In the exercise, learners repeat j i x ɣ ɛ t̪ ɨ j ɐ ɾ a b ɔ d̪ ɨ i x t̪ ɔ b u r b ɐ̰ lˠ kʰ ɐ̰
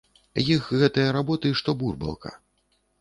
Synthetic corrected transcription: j i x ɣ ɛ t̪ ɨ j ɐ ɾ a b ɔ t̪ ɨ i ʂ t̪ ɔ b u r b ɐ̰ lˠ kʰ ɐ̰